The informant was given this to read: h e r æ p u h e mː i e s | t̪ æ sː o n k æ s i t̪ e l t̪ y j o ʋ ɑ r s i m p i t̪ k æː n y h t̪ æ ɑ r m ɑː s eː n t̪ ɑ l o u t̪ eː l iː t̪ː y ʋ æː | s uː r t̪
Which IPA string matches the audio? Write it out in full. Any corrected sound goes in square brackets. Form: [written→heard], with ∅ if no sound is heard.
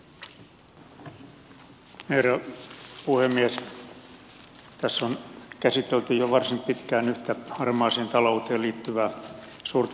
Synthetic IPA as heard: h e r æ p u h e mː i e s | t̪ æ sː o n k æ s i t̪ e l t̪ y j o ʋ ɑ r s i m p i t̪ k æː n y h t̪ æ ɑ r m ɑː s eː n t̪ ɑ l o u t̪ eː l iː t̪ː y ʋ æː | s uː r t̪